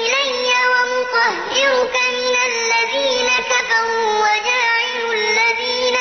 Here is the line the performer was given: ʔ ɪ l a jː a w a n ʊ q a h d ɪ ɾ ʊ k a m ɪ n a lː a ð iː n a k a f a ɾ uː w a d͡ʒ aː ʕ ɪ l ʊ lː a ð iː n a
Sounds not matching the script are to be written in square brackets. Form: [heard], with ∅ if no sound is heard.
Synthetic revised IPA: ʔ ɪ l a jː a w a [m] ʊ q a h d ɪ ɾ ʊ k a m ɪ n a lː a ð iː n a k a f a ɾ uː w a d͡ʒ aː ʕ ɪ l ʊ lː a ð iː n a